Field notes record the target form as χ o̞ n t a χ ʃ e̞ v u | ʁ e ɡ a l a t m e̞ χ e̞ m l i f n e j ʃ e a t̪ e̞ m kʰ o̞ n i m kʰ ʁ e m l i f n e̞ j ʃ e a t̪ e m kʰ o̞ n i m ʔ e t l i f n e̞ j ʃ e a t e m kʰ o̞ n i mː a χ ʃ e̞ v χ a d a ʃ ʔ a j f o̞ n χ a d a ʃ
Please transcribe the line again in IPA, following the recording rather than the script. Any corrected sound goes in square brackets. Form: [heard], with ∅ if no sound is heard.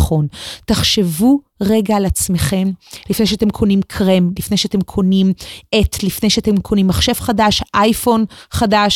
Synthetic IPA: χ o̞ n t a χ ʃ e̞ v u | ʁ e ɡ a l a [t͡s] m e̞ χ e̞ m l i f n e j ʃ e a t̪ e̞ m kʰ o̞ n i m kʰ ʁ e m l i f n e̞ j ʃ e a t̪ e m kʰ o̞ n i m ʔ e t l i f n e̞ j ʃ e a t e m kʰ o̞ n i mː a χ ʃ e̞ v χ a d a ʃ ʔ a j f o̞ n χ a d a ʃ